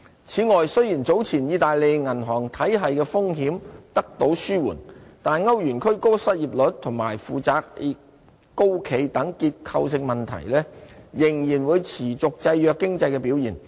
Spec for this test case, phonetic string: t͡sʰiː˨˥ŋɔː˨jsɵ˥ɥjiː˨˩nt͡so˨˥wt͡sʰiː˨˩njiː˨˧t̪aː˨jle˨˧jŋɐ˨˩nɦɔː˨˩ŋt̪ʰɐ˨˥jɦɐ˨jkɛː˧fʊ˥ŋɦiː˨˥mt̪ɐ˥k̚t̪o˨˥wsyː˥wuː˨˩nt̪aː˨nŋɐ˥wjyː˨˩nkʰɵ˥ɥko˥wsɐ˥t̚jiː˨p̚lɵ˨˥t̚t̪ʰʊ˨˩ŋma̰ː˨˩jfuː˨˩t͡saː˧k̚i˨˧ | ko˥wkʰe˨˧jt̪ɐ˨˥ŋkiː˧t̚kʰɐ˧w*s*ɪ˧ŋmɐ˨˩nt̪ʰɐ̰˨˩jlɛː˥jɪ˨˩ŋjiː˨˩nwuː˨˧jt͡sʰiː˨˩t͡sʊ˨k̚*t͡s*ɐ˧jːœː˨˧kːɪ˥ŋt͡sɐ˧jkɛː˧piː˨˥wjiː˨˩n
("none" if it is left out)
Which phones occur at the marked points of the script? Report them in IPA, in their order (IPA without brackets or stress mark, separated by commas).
s, t͡s